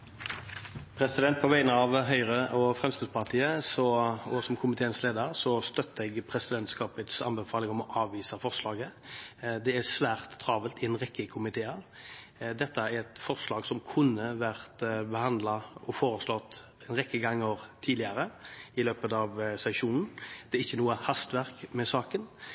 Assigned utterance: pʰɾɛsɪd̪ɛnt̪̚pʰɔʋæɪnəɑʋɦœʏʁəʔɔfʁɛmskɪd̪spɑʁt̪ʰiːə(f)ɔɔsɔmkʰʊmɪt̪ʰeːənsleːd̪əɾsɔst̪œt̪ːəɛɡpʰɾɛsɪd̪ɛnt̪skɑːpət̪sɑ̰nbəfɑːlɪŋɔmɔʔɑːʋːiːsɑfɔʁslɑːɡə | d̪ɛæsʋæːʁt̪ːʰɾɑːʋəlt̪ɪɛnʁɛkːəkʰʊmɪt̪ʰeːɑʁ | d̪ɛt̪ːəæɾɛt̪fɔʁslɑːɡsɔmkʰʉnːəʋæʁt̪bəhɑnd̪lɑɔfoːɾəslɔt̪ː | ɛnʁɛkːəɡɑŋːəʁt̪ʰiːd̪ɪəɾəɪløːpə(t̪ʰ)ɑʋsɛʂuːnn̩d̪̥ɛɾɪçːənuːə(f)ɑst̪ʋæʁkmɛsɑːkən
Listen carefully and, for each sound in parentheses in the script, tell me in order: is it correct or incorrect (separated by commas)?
incorrect, incorrect, incorrect